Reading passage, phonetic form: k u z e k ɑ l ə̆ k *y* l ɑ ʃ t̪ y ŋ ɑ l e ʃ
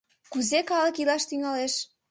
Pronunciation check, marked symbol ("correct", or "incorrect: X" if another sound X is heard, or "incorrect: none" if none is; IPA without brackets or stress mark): incorrect: i